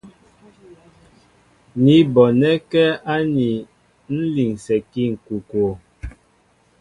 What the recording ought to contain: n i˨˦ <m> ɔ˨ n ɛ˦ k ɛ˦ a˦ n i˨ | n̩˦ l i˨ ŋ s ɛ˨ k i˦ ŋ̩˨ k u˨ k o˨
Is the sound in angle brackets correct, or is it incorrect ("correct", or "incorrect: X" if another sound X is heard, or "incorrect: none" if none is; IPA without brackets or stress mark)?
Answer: incorrect: b